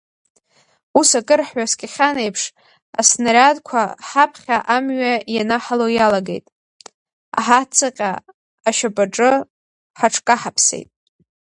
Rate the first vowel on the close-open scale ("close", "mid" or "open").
close